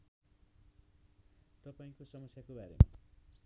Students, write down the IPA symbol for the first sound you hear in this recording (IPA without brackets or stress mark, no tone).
t̪